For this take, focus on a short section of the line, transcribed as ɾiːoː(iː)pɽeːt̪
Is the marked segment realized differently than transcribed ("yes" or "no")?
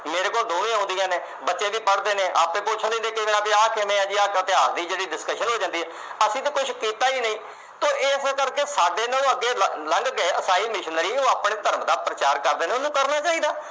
yes